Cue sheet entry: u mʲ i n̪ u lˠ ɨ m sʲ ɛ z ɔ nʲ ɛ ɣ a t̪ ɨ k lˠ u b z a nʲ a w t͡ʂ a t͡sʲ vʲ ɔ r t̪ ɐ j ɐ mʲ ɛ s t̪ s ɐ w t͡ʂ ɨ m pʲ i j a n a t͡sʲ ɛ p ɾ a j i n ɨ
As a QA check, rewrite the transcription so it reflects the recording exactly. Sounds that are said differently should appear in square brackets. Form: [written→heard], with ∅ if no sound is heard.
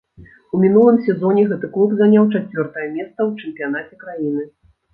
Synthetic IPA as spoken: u mʲ i n̪ u lˠ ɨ m sʲ ɛ z ɔ nʲ ɛ ɣ [a→ɛ] t̪ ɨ k lˠ u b z a nʲ a w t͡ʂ a t͡sʲ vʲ ɔ r t̪ ɐ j ɐ mʲ ɛ s t̪ s ɐ w t͡ʂ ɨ m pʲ i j a n a t͡sʲ ɛ [p→k] ɾ a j i n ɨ